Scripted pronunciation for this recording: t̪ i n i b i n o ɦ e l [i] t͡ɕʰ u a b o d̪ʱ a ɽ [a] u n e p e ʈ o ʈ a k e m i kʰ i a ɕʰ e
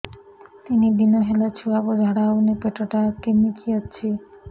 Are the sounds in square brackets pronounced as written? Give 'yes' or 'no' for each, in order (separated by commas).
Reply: no, yes